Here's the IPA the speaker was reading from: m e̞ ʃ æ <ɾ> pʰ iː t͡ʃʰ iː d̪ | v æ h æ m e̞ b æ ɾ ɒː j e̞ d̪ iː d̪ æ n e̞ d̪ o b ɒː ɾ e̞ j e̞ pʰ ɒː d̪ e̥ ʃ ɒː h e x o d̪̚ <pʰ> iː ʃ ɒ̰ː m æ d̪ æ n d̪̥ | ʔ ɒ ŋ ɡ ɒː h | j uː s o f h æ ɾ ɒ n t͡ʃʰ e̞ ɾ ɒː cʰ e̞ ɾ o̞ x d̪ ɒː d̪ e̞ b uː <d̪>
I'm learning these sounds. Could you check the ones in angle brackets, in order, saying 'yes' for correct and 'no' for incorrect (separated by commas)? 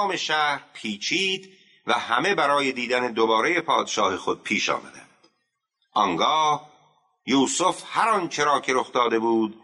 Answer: yes, yes, yes